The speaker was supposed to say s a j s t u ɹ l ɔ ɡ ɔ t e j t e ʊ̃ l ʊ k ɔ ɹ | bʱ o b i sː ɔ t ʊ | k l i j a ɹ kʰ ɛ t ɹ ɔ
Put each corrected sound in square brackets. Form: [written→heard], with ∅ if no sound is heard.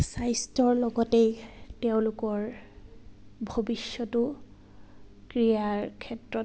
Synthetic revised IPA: s a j s t [u→ɔ] ɹ l ɔ ɡ ɔ t e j t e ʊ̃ l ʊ k ɔ ɹ | bʱ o b i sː ɔ t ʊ | k [l→ɹ] i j a ɹ kʰ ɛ t ɹ ɔ